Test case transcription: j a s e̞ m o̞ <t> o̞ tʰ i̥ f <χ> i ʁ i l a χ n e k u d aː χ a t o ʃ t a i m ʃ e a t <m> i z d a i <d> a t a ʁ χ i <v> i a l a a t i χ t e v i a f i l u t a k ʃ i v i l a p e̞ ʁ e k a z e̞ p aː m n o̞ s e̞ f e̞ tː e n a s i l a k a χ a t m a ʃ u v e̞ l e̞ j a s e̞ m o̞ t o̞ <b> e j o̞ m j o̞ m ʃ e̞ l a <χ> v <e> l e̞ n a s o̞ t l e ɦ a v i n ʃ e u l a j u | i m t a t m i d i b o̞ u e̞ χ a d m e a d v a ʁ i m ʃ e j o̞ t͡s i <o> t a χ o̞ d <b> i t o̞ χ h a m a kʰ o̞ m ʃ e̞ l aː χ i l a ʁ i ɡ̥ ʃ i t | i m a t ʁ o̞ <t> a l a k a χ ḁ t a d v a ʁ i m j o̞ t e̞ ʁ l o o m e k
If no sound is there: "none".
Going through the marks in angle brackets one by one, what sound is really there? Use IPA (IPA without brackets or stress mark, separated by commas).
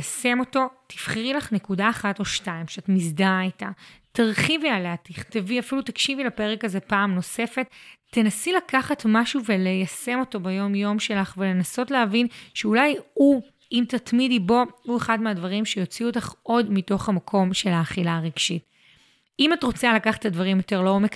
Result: t, χ, m, t, v, b, χ, e, u, m, t͡s